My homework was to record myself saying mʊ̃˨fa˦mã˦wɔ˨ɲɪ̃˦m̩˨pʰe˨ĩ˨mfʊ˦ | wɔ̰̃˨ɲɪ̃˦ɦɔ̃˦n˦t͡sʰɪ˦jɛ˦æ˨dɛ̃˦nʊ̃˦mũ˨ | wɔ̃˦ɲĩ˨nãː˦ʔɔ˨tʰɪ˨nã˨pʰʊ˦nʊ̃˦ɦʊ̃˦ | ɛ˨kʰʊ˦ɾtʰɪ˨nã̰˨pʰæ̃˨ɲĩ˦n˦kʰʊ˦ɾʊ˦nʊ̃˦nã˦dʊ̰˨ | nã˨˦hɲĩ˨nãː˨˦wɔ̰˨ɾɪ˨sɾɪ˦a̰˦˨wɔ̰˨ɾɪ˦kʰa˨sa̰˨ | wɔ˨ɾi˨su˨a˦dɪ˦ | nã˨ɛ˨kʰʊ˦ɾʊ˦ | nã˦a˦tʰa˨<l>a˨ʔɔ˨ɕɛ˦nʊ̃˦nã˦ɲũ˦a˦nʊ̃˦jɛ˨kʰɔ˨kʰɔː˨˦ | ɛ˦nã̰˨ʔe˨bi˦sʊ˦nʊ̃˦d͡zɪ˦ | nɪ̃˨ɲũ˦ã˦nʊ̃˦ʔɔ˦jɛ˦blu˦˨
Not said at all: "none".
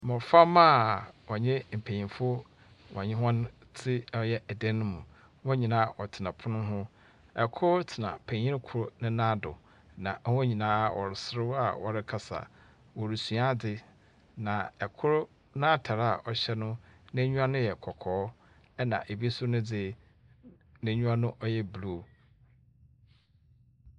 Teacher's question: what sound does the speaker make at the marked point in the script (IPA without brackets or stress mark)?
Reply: ɾ